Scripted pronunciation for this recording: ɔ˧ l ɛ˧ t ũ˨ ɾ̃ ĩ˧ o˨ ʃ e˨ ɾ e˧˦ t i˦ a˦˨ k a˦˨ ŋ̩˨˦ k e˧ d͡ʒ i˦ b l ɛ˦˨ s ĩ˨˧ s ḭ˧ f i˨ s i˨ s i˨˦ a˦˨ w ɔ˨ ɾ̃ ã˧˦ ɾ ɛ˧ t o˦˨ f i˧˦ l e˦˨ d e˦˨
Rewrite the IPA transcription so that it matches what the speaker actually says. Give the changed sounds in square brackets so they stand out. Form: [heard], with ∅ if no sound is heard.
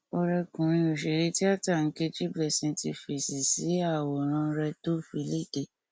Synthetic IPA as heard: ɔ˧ [ɾ] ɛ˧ [k] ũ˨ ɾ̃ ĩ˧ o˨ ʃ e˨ ɾ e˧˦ t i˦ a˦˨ [t] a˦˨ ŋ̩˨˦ k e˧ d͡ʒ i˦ b l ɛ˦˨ s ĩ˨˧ [t] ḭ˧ f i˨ s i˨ s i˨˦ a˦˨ w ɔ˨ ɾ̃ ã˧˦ ɾ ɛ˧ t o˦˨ f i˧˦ l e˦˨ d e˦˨